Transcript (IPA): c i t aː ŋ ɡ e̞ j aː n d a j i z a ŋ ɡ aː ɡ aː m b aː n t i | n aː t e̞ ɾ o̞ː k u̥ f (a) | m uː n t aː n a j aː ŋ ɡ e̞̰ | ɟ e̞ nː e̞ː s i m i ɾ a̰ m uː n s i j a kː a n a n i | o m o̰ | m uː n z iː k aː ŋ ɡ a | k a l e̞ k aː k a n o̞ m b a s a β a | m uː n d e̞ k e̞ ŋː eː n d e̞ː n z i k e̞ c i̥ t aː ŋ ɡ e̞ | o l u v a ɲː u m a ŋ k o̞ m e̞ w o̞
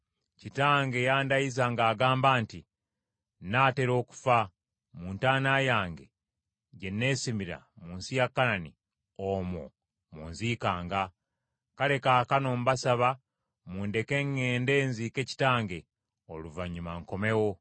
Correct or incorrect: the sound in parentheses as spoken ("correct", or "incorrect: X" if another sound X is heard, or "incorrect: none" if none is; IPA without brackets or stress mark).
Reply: correct